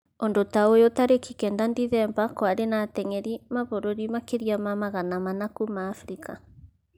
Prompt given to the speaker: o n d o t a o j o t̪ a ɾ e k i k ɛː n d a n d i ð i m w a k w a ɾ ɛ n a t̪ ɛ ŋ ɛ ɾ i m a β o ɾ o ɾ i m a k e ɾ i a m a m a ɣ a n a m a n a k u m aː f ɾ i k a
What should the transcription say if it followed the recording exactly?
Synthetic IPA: o n d o t a o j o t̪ a ɾ e k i k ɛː n d a n d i ð ɛ m b a k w a ɾ e n a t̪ ɛ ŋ ɛ ɾ i m a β o ɾ o ɾ i m a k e ɾ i a m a m a ɣ a n a m a n a k u m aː f ɾ i k a